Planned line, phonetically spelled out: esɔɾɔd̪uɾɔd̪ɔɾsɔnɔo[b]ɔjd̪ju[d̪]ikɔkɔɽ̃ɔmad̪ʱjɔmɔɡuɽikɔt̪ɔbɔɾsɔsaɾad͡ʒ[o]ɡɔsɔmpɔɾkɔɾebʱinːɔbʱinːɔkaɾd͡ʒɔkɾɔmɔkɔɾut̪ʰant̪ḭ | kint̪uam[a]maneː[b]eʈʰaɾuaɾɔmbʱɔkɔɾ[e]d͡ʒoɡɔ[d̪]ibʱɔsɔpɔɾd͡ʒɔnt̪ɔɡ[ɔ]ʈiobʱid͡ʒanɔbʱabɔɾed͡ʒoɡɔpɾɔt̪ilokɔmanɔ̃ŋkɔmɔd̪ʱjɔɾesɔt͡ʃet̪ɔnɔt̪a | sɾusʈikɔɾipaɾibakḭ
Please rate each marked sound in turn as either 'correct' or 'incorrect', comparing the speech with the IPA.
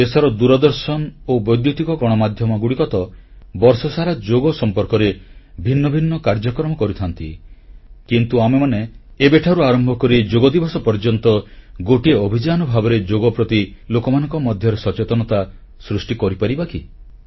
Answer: correct, incorrect, correct, incorrect, correct, incorrect, correct, incorrect

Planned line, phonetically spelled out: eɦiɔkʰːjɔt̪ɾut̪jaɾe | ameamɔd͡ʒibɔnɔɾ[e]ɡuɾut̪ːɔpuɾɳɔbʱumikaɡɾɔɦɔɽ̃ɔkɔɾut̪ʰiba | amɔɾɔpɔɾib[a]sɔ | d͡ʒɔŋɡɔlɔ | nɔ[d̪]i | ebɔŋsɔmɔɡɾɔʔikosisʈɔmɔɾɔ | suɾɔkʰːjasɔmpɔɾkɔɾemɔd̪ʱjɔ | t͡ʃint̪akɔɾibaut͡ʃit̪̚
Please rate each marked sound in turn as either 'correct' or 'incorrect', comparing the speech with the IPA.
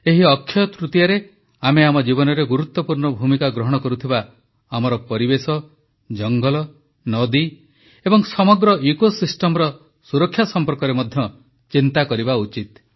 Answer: correct, incorrect, correct

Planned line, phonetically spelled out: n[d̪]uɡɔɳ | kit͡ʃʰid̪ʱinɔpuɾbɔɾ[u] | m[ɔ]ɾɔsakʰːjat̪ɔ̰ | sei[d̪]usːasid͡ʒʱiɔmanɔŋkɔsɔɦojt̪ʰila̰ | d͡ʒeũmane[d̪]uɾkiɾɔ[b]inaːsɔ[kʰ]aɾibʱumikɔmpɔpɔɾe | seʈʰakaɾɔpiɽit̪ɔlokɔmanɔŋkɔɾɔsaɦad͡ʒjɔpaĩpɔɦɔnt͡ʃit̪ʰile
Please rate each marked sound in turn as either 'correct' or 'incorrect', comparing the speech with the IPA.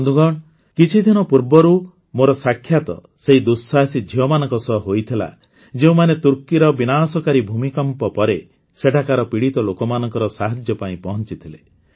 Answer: correct, correct, incorrect, correct, incorrect, correct, incorrect

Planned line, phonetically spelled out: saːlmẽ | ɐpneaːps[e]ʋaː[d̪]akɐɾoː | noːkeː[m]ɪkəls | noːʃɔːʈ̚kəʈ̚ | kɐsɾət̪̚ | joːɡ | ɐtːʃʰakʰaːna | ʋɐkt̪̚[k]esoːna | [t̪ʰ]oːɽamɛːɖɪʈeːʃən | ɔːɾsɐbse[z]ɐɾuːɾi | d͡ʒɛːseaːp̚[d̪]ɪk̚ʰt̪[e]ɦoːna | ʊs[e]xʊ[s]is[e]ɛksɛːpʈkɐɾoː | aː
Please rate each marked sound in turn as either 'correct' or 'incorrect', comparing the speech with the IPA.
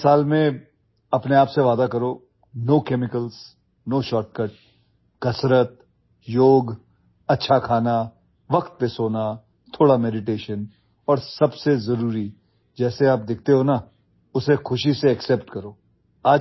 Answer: correct, correct, correct, incorrect, correct, correct, correct, correct, correct, incorrect, correct

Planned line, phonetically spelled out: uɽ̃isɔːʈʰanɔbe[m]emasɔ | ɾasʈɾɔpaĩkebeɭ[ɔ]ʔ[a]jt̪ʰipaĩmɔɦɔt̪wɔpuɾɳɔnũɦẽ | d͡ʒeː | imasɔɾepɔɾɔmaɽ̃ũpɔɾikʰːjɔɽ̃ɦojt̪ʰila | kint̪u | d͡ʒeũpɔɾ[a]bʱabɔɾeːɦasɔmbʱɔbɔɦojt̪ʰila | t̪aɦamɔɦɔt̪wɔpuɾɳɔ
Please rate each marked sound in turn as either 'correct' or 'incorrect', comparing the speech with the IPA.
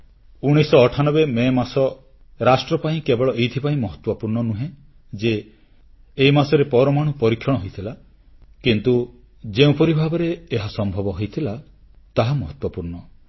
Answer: correct, correct, incorrect, incorrect

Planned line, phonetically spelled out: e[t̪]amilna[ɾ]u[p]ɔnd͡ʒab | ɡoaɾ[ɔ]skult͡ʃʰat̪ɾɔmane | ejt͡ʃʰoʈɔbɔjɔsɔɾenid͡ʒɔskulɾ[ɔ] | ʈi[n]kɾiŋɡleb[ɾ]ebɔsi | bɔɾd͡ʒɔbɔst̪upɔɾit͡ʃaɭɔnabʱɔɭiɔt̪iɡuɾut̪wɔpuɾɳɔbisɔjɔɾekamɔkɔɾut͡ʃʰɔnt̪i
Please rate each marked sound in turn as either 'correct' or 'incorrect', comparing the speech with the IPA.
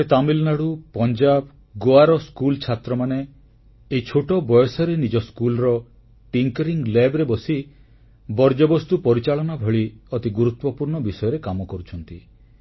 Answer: correct, incorrect, correct, correct, correct, incorrect, correct

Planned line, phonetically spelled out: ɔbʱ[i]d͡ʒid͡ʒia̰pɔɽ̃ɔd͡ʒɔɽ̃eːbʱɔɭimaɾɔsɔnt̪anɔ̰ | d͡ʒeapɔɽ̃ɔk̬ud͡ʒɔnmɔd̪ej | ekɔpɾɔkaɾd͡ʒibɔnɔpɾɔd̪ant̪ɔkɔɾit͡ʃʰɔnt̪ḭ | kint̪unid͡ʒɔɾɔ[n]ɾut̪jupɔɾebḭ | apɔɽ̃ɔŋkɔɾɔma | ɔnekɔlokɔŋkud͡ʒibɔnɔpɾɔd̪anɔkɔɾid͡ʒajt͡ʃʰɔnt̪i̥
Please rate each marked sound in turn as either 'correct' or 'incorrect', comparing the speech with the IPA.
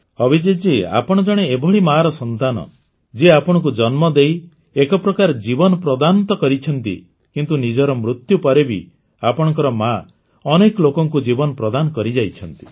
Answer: correct, incorrect

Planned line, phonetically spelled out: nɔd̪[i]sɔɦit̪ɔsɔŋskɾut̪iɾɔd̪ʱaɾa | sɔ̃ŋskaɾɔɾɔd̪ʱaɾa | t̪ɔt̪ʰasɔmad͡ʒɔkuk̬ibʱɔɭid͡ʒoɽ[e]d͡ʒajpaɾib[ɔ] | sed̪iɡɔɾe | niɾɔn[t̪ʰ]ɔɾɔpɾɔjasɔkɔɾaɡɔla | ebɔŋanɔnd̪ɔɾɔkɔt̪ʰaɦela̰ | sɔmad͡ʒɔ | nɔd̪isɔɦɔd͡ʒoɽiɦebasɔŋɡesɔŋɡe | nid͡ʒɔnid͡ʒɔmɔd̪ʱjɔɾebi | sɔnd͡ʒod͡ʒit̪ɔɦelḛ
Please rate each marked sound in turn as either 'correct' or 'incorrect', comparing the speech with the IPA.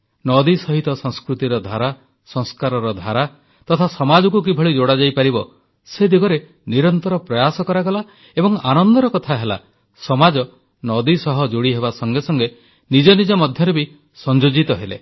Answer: correct, incorrect, correct, incorrect

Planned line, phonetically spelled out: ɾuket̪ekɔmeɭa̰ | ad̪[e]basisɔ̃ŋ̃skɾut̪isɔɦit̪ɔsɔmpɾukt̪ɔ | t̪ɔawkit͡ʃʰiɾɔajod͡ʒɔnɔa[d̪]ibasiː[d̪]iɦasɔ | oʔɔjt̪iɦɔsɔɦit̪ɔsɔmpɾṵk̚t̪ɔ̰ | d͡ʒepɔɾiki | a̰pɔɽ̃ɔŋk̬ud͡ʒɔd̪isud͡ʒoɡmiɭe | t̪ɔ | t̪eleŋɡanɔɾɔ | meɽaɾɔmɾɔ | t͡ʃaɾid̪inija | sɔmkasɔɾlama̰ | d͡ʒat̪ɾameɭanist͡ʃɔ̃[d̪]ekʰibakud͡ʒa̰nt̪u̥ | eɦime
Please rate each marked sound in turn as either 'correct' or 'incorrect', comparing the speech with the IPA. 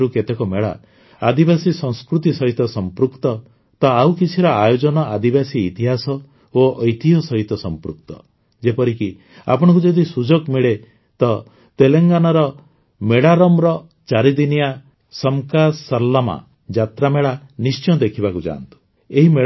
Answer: incorrect, correct, incorrect, correct

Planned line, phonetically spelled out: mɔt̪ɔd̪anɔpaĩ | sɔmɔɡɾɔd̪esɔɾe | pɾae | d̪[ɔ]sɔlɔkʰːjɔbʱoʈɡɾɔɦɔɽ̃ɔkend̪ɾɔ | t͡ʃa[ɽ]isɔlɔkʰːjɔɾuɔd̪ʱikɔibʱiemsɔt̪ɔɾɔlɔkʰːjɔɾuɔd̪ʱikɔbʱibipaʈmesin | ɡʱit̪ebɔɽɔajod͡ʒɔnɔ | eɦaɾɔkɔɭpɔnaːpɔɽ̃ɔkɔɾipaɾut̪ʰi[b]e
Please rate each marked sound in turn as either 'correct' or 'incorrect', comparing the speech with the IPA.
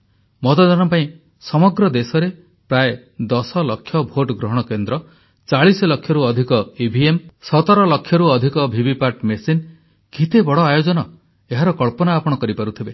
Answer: correct, incorrect, correct

